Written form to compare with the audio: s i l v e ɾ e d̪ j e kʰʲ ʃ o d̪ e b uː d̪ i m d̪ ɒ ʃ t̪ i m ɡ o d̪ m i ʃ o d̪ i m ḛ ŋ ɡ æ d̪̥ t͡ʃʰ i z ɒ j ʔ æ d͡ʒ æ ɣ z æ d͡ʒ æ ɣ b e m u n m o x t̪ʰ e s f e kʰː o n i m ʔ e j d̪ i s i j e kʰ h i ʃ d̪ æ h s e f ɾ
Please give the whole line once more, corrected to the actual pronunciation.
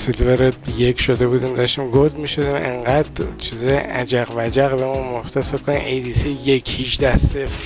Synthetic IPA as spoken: s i l v e ɾ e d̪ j e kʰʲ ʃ o d̪ e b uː d̪ i m d̪ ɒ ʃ t̪ i m ɡ o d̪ m i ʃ o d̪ i m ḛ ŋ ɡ æ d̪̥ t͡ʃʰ i z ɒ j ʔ æ d͡ʒ æ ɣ v æ d͡ʒ æ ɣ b e m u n m o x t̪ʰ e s f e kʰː o n i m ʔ e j d̪ i s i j e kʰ h i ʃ d̪ æ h s e f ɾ